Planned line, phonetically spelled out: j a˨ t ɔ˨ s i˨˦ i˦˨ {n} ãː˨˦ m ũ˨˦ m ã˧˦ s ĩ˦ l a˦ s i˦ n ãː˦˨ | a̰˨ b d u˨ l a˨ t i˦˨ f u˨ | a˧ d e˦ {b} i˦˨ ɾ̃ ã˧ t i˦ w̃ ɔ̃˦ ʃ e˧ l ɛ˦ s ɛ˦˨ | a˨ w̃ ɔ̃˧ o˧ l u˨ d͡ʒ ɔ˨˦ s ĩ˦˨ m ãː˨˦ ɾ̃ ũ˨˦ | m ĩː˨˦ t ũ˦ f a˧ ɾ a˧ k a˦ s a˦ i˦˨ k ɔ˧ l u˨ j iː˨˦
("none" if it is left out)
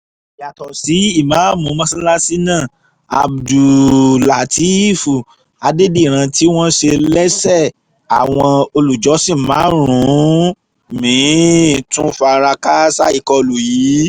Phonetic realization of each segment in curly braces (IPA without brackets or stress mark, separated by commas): m, d